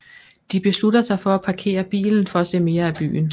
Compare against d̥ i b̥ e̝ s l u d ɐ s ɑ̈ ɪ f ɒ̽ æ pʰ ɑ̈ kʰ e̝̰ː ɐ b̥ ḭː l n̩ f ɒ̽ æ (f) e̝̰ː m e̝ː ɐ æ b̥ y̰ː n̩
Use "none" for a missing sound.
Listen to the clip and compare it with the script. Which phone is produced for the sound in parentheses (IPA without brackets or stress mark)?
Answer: s